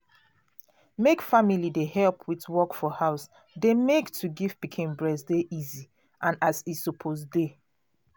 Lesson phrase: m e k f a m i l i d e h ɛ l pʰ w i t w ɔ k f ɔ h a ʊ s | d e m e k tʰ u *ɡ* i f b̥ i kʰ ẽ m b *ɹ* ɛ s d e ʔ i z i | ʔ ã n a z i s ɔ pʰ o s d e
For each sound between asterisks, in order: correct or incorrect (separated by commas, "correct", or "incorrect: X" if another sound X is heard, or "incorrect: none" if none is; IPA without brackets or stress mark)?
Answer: correct, correct